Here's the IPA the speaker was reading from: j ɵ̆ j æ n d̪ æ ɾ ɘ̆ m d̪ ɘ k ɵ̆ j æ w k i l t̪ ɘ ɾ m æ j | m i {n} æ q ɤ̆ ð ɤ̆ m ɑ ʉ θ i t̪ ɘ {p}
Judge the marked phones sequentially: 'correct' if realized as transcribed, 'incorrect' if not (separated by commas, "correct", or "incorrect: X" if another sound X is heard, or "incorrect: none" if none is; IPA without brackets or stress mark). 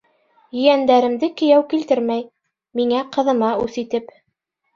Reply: incorrect: ŋ, correct